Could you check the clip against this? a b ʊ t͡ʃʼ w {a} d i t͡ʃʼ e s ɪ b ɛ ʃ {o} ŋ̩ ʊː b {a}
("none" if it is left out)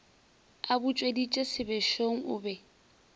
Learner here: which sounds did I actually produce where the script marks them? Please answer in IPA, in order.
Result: e, o, ɛ

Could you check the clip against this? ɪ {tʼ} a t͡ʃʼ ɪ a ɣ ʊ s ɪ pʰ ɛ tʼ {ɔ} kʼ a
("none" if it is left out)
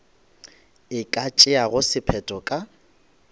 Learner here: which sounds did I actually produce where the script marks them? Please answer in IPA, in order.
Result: kʼ, ɔ

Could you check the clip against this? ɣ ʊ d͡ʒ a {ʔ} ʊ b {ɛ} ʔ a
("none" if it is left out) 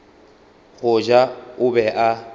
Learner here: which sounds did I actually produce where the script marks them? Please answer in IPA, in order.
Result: none, ɛ

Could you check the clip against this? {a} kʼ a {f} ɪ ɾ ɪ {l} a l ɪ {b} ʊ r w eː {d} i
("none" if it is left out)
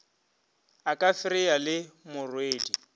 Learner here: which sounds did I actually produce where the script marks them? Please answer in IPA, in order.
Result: a, f, none, m, d

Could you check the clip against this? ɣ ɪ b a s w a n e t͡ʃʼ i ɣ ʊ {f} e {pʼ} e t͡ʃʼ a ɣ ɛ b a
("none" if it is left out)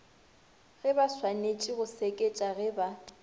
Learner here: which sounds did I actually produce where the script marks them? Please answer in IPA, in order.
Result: s, kʼ

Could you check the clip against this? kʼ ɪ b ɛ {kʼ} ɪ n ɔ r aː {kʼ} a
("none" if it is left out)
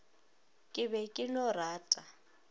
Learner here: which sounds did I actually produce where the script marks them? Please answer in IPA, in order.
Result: kʼ, tʼ

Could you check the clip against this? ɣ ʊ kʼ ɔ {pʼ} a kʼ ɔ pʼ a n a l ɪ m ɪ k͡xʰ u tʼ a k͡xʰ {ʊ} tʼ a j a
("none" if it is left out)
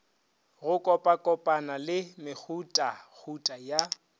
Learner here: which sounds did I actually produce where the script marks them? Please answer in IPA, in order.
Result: pʼ, u

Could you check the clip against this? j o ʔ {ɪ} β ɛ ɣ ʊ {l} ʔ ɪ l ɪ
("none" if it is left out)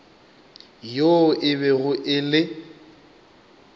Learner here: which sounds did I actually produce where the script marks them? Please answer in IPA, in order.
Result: ɪ, none

